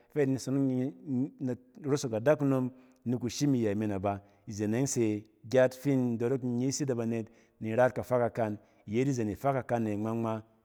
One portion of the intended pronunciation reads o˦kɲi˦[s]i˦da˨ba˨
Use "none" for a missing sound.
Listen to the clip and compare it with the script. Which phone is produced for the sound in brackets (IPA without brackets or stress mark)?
s